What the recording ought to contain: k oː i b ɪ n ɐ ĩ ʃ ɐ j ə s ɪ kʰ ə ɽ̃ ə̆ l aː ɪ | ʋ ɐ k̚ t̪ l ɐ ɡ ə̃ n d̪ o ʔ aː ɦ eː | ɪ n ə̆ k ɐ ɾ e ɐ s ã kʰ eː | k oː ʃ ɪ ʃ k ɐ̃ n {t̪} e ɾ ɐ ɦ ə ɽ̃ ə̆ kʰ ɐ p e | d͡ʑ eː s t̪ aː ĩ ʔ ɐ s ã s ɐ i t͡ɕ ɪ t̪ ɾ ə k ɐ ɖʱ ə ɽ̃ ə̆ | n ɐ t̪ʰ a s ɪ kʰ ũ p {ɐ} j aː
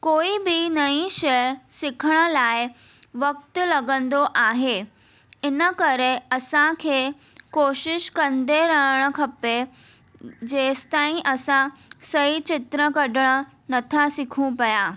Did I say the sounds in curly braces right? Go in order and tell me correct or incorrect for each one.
incorrect, correct

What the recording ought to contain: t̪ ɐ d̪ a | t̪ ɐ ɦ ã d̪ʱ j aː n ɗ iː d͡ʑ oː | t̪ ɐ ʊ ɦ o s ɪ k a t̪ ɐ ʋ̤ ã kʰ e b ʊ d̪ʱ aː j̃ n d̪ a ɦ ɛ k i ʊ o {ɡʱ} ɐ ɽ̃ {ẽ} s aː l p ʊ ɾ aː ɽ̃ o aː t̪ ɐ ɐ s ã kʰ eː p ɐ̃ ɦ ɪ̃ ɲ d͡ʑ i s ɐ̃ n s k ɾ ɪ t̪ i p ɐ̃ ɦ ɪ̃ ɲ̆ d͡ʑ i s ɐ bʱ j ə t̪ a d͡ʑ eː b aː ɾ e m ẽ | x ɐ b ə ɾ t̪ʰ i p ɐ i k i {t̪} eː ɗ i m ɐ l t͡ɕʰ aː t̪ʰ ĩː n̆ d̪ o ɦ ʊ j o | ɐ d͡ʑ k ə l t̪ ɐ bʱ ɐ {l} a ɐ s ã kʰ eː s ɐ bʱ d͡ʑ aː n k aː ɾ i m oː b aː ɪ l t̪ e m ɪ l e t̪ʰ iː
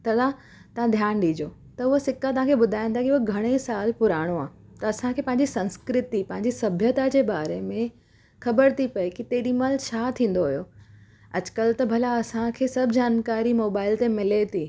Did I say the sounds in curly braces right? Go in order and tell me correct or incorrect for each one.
correct, incorrect, correct, correct

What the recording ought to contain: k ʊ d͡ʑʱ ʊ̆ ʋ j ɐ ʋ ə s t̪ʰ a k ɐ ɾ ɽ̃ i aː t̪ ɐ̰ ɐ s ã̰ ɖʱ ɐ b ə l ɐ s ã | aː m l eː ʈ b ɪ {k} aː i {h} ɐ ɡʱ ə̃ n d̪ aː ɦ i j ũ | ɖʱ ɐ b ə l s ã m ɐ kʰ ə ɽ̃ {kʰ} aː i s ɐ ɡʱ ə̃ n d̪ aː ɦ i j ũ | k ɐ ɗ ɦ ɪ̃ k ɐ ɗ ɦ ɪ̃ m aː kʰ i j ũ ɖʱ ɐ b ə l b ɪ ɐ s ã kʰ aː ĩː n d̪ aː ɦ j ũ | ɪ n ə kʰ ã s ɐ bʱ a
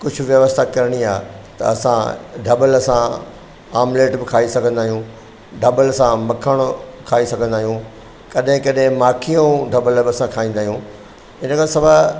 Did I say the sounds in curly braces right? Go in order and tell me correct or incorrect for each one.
incorrect, incorrect, correct

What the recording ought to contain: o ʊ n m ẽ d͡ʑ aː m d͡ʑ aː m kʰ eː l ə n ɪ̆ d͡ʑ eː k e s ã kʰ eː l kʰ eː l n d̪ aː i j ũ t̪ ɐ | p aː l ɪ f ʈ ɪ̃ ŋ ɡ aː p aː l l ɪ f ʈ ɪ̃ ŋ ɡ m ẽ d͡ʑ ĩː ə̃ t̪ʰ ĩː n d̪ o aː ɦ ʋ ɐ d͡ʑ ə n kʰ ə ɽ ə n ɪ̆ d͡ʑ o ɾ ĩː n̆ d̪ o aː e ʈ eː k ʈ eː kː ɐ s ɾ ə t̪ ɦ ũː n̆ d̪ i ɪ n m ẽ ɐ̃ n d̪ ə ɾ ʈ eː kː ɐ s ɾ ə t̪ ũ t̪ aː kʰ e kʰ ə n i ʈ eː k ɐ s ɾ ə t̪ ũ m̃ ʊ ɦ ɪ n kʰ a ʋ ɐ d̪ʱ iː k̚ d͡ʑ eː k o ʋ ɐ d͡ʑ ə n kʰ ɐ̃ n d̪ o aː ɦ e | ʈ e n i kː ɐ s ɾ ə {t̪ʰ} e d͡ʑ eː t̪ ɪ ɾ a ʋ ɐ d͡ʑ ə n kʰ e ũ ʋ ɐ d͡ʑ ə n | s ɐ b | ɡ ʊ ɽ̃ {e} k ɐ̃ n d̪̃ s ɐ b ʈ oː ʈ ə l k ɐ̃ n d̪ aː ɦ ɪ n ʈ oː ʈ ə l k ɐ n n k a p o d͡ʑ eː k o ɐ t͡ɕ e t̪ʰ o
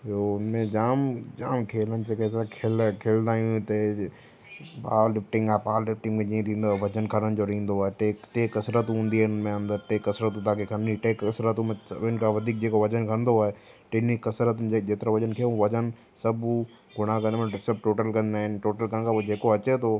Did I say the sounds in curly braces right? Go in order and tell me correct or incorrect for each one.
incorrect, incorrect

